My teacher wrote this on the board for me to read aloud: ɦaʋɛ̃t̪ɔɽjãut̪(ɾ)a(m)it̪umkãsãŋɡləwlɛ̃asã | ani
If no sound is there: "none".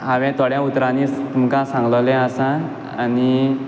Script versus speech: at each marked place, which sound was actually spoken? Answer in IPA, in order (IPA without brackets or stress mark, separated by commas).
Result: ɾ, n